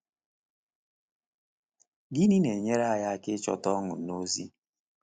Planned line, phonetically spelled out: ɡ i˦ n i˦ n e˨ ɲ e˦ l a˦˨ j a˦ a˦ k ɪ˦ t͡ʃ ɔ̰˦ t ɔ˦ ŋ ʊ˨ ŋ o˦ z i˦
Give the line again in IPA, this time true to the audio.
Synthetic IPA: ɡ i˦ n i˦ n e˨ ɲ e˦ ɾ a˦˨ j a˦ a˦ k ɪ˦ t͡ʃ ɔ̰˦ t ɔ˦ ŋ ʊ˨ n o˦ z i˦